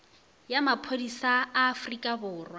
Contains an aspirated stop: yes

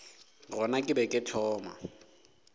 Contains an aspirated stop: yes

